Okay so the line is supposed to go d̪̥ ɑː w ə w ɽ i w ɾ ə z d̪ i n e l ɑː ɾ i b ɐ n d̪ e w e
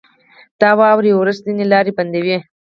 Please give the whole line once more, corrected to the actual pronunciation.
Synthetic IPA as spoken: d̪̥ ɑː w ɑ w ɾ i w ɾ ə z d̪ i n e l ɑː ɾ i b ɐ n d̪ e w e